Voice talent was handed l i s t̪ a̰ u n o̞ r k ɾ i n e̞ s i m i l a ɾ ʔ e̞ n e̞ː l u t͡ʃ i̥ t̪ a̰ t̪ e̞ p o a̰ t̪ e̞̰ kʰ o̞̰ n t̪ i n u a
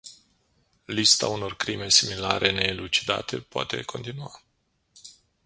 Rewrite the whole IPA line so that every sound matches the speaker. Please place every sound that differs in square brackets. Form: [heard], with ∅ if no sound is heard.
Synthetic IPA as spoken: l i s t̪ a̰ u n o̞ r k ɾ i [m] e̞ s i m i l a ɾ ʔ e̞ n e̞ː l u t͡ʃ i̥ [d̪] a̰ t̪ e̞ p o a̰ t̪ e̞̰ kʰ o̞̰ n t̪ i n u a